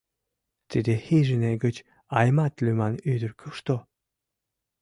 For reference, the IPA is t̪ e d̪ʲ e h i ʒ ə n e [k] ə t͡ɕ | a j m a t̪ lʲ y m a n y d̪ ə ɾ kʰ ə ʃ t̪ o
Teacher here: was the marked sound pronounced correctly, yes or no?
no